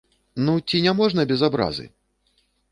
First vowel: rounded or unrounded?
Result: rounded